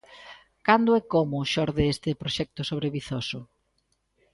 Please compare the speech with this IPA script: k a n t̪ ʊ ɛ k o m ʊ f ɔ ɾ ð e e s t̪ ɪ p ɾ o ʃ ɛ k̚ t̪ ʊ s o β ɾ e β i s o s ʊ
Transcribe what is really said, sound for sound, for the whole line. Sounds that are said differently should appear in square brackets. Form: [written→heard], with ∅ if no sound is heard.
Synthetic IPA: k a n [t̪→d̪] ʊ ɛ k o m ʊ [f→ʃ] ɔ ɾ ð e e s t̪ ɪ p ɾ o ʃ ɛ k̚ t̪ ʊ s o β ɾ e β i [s→θ] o s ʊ